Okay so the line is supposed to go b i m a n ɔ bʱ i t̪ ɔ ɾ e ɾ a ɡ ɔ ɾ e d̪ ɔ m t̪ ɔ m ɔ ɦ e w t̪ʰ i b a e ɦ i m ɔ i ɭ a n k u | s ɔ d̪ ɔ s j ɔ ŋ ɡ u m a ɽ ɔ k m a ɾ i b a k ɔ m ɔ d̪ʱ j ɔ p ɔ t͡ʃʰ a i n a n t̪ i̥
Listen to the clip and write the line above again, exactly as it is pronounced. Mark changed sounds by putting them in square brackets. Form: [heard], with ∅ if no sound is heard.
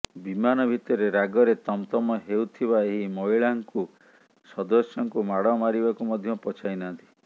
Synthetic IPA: b i m a n ɔ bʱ i t̪ ɔ ɾ e ɾ a ɡ ɔ ɾ e [t̪] ɔ m t̪ ɔ m ɔ ɦ e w t̪ʰ i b a e ɦ i m ɔ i ɭ a [ŋ] k u | s ɔ d̪ ɔ s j ɔ ŋ [k] u m a ɽ ɔ [∅] m a ɾ i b a k [u] m ɔ d̪ʱ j ɔ p ɔ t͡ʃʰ a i n a n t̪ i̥